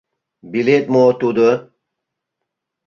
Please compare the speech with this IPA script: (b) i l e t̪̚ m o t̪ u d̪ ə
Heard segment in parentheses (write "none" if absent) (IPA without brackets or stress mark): b